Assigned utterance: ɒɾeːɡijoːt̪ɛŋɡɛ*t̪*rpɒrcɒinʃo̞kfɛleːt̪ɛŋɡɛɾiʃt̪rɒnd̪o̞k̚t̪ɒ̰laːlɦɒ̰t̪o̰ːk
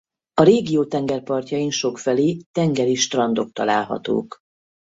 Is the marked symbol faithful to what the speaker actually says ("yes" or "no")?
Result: no